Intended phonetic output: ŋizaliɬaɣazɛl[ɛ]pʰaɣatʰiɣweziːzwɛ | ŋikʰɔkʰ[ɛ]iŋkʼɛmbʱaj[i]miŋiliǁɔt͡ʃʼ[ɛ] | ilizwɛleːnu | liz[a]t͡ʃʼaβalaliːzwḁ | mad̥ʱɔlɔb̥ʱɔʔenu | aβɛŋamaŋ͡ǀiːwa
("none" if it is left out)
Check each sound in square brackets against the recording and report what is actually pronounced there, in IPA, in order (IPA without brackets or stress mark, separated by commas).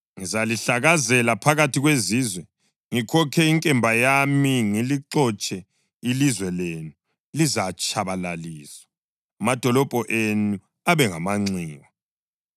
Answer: a, ɛ, a, ɛ, a